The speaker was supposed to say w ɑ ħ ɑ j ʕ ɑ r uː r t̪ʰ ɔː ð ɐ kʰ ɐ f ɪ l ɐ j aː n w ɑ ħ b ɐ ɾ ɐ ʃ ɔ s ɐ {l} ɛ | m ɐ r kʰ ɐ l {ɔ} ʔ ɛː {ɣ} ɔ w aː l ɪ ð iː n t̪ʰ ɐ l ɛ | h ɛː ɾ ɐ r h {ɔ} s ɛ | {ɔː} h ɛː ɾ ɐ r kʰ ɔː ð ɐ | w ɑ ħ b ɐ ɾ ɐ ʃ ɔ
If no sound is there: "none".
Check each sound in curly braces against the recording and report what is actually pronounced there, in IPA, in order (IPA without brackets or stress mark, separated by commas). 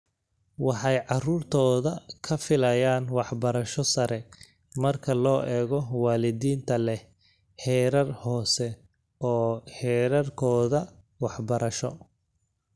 ɾ, ɔː, ɣ, ɔː, ɔː